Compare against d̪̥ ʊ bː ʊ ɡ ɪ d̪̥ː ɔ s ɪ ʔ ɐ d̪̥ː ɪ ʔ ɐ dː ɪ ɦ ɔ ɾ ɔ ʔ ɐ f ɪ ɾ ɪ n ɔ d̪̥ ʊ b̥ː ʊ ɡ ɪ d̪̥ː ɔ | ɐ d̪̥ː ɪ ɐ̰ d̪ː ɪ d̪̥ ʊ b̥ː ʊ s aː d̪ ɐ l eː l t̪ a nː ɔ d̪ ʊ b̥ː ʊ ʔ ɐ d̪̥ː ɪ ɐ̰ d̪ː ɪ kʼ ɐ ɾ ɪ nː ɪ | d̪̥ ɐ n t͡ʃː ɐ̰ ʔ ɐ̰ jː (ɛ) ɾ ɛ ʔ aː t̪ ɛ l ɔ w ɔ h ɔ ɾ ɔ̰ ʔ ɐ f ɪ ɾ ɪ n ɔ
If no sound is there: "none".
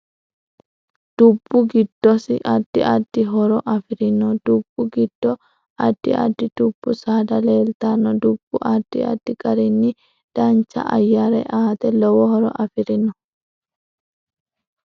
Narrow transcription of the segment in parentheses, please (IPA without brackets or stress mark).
a